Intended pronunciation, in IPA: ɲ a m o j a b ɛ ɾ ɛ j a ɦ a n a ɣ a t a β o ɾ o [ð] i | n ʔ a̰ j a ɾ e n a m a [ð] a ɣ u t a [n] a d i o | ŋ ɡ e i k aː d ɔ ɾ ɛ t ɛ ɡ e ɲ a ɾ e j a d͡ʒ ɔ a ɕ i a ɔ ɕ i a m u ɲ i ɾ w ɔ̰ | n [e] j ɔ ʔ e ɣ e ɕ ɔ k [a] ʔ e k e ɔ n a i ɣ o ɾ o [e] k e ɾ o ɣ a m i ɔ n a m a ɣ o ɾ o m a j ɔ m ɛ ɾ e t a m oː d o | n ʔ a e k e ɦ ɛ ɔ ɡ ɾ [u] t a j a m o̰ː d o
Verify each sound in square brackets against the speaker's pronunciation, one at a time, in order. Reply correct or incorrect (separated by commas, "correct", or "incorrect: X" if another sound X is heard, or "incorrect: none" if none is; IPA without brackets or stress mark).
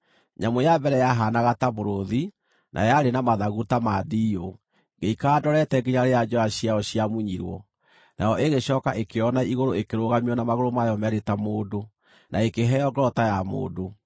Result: correct, correct, incorrect: m, incorrect: a, correct, correct, incorrect: ɔ